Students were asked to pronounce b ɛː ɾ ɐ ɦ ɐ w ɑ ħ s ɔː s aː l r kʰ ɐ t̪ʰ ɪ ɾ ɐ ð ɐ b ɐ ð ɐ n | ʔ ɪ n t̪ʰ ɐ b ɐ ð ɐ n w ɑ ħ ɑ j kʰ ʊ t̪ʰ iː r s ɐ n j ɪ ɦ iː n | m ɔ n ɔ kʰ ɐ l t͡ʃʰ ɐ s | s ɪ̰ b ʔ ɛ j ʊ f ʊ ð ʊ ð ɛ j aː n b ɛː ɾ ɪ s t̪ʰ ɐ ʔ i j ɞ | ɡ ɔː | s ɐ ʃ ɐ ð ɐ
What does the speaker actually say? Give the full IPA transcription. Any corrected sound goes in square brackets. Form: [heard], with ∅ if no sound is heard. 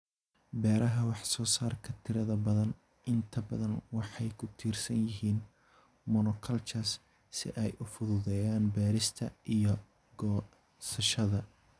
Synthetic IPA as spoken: b ɛː ɾ ɐ ɦ ɐ w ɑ ħ s ɔː s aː [∅] r kʰ ɐ t̪ʰ ɪ ɾ ɐ ð ɐ b ɐ ð ɐ n | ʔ ɪ n t̪ʰ ɐ b ɐ ð ɐ n w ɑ ħ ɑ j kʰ ʊ t̪ʰ iː r s ɐ n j ɪ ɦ iː n | m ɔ n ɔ kʰ ɐ l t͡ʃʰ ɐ s | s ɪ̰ [∅] ʔ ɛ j ʊ f ʊ ð ʊ ð ɛ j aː n b ɛː ɾ ɪ s t̪ʰ ɐ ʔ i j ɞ | ɡ ɔː | s ɐ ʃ ɐ ð ɐ